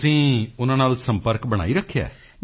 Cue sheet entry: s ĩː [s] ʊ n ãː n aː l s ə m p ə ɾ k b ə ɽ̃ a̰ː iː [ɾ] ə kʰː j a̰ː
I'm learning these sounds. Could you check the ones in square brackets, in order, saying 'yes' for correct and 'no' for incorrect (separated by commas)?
no, yes